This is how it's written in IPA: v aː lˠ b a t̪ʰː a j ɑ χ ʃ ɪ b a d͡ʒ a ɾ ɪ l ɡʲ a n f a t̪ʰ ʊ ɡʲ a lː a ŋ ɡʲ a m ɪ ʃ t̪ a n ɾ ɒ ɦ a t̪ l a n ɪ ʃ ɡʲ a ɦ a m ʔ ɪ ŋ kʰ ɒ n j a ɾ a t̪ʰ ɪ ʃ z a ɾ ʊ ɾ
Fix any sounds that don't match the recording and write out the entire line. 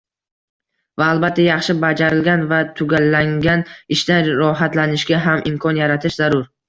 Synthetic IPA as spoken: v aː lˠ b a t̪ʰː a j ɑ χ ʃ ɪ b a d͡ʒ a ɾ ɪ l ɡʲ a n v a t̪ʰ ʊ ɡʲ a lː a ŋ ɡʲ a n ɪ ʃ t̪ a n ɾ ɒ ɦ a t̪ l a n ɪ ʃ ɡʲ a ɦ a m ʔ ɪ m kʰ ɒ n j a ɾ a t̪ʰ ɪ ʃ z a ɾ ʊ ɾ

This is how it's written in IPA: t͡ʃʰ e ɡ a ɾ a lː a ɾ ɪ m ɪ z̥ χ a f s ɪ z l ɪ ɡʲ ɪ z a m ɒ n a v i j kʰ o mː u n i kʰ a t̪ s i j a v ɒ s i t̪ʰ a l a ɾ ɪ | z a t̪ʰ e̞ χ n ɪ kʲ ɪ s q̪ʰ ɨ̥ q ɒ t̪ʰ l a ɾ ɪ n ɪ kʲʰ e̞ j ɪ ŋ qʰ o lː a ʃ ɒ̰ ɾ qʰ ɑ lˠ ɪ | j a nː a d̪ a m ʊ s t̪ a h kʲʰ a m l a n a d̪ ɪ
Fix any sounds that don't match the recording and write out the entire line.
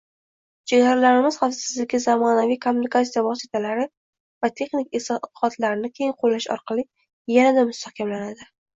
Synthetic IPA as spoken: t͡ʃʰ e ɡ a ɾ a l a ɾ ɪ m ɪ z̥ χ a f s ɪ z l ɪ ɡʲ ɪ z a m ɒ n a v i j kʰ o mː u n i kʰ a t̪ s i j a v ɒ s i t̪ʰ a l a ɾ ɪ | v a t̪ʰ e̞ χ n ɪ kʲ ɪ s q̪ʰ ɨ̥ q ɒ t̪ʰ l a ɾ ɪ n ɪ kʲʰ e̞ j ɪ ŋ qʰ o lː a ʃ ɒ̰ ɾ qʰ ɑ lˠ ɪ | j a n a d̪ a m ʊ s t̪ a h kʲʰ a m l a n a d̪ ɪ

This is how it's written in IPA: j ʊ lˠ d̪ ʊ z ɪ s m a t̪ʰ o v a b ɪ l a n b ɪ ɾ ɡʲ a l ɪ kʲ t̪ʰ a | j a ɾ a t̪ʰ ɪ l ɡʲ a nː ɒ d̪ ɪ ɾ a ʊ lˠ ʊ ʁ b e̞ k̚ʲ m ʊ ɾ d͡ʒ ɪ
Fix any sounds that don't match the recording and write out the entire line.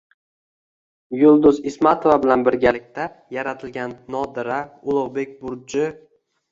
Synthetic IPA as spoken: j ʊ lˠ d̪ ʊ z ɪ s m a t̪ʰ o v a b ɪ l a n b ɪ ɾ ɡʲ a l ɪ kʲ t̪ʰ a | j a ɾ a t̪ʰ ɪ l ɡʲ a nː ɒ d̪ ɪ ɾ a ʊ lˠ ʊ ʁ b e̞ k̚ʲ b ʊ ɾ d͡ʒ ɪ

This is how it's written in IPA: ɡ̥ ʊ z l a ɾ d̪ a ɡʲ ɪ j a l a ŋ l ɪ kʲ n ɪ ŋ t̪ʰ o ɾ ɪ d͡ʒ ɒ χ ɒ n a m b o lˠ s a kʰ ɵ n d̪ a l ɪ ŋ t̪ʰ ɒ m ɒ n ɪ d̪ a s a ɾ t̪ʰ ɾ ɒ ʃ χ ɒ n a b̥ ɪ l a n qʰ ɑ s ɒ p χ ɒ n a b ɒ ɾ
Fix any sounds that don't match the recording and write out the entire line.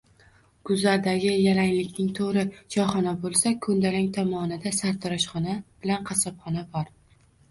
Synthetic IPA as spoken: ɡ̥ ʊ z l a ɾ d̪ a ɡʲ ɪ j a l a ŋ l ɪ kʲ n ɪ ŋ t̪ʰ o ɾ ɪ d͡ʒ ɒ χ ɒ n a b o lˠ s a kʰ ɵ n d̪ a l ɪ ŋ t̪ʰ ɒ m ɒ n ɪ d̪ a s a ɾ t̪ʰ ɾ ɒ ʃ χ ɒ n a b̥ ɪ l a n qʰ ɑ s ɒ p χ ɒ n a b ɒ ɾ

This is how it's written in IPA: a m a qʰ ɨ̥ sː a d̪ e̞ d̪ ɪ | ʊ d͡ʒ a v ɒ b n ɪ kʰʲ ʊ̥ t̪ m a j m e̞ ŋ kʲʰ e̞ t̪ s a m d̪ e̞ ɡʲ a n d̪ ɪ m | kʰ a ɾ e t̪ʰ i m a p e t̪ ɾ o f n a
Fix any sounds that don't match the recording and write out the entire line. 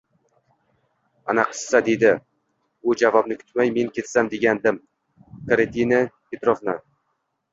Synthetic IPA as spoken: a n a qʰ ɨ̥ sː a d̪ e̞ d̪ ɪ | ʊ d͡ʒ a v ɒ b n ɪ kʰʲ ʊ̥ t̪ m a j m e̞ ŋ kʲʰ e̞ t̪ s a m d̪ e̞ ɡʲ a n d̪ ɪ m | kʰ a ɾ e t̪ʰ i n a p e t̪ ɾ o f n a

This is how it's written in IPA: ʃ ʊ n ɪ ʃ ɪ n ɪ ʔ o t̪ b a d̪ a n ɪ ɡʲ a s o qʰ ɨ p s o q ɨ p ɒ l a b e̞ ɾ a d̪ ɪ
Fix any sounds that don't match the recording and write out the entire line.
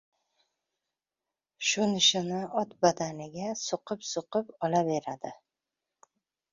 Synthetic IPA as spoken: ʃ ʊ n ɪ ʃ ɪ n ɪ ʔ ɒ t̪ b a d̪ a n ɪ ɡʲ a s o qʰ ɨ p s o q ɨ p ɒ l a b e̞ ɾ a d̪ ɪ

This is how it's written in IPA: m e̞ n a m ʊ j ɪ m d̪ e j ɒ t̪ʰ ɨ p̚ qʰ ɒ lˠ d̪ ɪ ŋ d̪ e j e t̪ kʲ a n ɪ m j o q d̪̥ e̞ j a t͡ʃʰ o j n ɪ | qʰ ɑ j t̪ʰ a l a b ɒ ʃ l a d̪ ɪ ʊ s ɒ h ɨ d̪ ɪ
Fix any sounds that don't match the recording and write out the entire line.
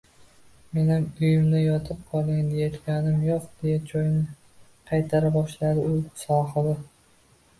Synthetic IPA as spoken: m e̞ n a m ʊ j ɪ m d̪ a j ɒ t̪ʰ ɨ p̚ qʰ ɒ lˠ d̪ ɪ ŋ d̪ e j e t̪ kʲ a n ɪ m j o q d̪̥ e̞ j a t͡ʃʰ o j n ɪ | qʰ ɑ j t̪ʰ a ɾ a b ɒ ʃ l a d̪ ɪ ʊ s ɒ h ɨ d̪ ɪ

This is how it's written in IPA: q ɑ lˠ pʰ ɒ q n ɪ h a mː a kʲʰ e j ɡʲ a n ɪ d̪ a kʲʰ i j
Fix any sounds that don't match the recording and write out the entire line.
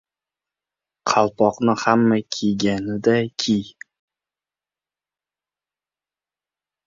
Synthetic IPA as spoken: qʰ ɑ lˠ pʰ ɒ q n ɪ h a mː a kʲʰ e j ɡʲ a n ɪ d̪ a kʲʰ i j

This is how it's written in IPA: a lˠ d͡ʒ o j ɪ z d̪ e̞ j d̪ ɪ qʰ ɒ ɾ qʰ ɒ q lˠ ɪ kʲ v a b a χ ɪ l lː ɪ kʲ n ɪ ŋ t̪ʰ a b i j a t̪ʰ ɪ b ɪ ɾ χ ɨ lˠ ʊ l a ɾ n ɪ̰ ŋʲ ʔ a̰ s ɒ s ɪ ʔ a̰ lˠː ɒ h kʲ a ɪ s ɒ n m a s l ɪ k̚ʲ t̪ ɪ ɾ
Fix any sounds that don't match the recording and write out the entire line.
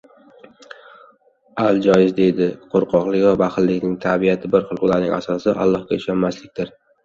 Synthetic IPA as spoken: a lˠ d͡ʒ ɒ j ɪ z d̪ e̞ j d̪ ɪ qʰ o ɾ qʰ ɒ q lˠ ɪ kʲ v a b a χ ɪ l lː ɪ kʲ n ɪ ŋ t̪ʰ a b i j a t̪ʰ ɪ b ɪ ɾ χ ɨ lˠ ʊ l a ɾ n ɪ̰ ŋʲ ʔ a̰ s ɒ s ɪ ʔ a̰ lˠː ɒ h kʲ a ɪ ʃ ɒ n m a s l ɪ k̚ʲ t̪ ɪ ɾ

